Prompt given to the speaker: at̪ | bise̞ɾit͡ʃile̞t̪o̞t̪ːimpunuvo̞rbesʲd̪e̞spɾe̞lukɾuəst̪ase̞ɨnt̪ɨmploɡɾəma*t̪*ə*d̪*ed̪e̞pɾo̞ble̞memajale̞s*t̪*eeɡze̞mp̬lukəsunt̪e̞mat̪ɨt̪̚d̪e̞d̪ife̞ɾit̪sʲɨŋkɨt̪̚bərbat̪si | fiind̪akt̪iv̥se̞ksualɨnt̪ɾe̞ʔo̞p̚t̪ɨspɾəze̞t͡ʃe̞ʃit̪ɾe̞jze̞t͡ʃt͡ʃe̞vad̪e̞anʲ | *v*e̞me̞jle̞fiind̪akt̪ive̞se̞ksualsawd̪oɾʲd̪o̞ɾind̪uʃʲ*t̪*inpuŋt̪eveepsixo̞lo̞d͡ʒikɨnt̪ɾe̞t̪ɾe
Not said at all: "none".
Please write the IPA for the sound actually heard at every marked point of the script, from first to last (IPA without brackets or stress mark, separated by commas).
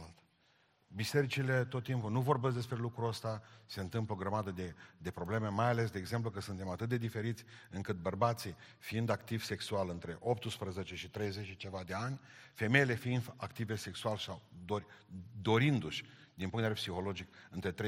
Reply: d̪, d̪, d̪, f, d̪